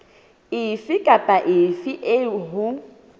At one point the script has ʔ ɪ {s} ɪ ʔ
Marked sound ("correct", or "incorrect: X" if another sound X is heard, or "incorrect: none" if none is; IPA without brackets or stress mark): incorrect: f